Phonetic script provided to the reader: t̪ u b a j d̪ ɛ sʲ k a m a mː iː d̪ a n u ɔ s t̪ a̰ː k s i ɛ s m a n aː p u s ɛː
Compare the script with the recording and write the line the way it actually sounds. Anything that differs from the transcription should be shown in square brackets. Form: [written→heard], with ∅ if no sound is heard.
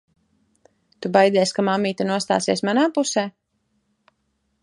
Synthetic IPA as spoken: t̪ u b a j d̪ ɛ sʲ k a m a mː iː [d̪→t̪] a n u ɔ s t̪ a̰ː [k→∅] s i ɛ s m a n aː p u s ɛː